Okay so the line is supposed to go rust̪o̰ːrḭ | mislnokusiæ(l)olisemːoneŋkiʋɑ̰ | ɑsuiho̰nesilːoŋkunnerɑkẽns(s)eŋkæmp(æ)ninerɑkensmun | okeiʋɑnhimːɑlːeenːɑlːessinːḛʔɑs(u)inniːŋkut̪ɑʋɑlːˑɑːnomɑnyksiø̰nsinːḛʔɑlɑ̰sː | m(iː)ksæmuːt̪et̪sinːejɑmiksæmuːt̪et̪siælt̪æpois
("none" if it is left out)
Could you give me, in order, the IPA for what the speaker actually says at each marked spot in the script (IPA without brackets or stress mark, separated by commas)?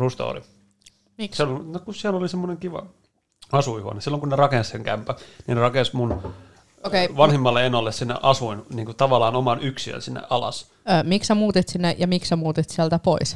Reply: l, s, æ, u, i